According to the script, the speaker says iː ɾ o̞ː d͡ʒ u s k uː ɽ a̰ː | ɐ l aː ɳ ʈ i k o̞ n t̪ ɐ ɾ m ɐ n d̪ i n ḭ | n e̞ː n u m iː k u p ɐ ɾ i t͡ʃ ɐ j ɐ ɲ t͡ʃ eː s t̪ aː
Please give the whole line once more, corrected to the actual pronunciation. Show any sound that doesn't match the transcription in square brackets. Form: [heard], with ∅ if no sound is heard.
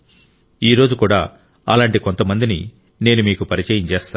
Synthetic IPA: iː ɾ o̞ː d͡ʒ u [∅] k uː ɽ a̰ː | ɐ l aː ɳ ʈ i k o̞ n t̪ ɐ [∅] m ɐ n d̪ i n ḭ | n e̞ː n u m iː k u p ɐ ɾ i t͡ʃ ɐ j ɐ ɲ t͡ʃ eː s t̪ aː